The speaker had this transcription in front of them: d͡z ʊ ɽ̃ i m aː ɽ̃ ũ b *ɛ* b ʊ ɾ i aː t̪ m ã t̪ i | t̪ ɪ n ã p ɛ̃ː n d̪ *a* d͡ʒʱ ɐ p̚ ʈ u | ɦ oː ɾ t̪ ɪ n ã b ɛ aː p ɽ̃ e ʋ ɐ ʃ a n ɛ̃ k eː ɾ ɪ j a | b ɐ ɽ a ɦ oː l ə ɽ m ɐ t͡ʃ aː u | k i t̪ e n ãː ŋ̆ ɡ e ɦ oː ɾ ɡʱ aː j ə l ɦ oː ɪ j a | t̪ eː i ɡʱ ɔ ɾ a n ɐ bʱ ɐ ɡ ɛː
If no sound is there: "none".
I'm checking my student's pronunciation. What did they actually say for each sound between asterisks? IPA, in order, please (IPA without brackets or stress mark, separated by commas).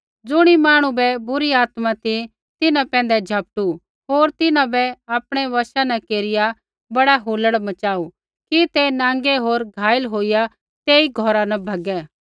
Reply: ɛ, ɛ